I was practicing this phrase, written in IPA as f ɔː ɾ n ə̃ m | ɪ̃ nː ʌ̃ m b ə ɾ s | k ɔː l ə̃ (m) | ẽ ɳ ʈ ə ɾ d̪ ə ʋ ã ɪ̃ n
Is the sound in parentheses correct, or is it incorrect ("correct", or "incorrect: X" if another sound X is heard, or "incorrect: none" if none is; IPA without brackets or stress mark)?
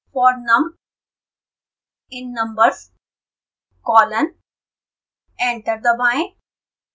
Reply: incorrect: n